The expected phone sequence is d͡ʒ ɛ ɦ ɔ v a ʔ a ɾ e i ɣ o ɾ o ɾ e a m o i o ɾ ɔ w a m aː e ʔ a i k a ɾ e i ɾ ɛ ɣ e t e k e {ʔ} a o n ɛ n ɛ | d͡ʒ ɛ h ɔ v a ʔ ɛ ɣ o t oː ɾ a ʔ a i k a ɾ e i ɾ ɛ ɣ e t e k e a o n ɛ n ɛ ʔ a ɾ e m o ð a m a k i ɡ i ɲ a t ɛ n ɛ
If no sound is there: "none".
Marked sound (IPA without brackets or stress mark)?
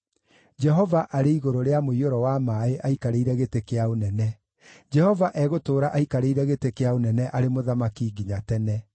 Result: none